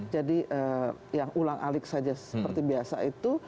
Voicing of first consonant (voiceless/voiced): voiced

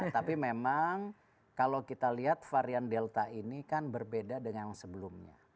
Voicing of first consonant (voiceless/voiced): voiceless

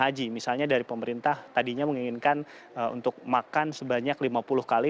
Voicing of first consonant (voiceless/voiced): voiced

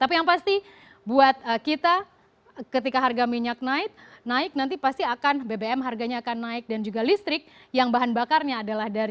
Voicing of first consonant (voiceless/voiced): voiceless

